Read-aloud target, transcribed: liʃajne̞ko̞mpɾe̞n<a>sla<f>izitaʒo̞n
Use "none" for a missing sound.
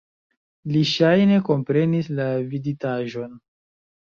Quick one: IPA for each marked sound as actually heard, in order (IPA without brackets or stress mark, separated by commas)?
i, v